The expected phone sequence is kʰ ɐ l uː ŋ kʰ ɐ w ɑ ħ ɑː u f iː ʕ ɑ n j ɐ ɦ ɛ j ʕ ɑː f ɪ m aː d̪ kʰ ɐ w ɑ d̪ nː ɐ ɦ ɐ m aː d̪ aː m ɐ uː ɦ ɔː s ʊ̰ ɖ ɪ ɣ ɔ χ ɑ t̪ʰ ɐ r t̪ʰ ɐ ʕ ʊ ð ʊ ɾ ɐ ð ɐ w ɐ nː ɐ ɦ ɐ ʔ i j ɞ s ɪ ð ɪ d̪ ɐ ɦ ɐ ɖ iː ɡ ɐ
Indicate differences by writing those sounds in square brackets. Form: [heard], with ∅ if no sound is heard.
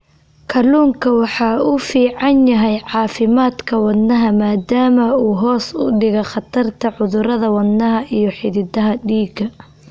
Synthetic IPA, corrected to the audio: kʰ ɐ l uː ŋ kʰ ɐ w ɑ ħ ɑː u f iː ʕ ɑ n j ɐ ɦ ɛ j ʕ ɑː f ɪ m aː d̪ kʰ ɐ w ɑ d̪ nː ɐ ɦ ɐ m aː d̪ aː m ɐ uː ɦ ɔː s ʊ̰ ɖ ɪ ɣ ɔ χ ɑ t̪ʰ ɐ r t̪ʰ ɐ ʕ ʊ ð ʊ ɾ ɐ ð ɐ w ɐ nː ɐ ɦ ɐ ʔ i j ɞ [ħ] ɪ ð ɪ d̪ ɐ ɦ ɐ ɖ iː ɡ ɐ